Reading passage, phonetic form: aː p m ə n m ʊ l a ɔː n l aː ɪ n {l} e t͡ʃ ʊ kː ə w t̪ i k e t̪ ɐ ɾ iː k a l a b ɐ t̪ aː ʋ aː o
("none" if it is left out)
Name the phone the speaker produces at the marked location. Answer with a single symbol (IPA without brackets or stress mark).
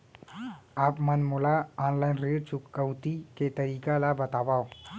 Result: ɾ